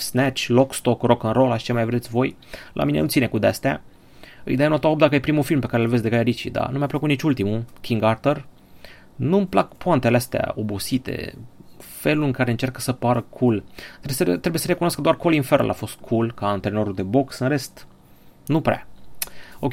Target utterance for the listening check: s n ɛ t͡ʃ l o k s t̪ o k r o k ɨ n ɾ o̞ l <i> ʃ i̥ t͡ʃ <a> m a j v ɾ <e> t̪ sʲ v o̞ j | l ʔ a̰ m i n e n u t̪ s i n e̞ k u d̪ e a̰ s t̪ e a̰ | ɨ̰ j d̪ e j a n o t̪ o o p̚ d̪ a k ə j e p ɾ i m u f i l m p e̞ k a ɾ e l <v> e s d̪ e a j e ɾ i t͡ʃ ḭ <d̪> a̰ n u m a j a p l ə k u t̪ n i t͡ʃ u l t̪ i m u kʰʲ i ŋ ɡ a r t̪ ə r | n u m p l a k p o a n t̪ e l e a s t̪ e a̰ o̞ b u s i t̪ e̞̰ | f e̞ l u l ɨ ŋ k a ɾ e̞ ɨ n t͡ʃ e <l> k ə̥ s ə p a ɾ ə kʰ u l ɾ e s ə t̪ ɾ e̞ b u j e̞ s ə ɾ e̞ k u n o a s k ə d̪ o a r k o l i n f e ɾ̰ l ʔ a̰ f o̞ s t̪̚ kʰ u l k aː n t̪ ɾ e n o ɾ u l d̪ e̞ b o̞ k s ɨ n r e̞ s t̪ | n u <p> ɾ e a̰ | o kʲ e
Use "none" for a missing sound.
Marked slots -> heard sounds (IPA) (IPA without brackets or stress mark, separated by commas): a, e, e, v, d̪, r, p